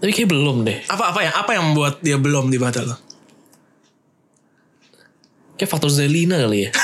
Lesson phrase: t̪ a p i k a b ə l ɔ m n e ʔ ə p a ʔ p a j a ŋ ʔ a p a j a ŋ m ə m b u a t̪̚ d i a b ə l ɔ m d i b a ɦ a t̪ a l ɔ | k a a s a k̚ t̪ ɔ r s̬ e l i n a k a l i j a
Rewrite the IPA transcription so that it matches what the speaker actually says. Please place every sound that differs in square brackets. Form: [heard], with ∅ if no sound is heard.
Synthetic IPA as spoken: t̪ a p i k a b ə l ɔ m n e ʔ [a] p a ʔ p a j a ŋ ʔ a p a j a ŋ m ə m b u a t̪̚ d i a b ə l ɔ m d i b a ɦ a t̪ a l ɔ | k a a [f] a k̚ t̪ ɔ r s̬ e l i n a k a l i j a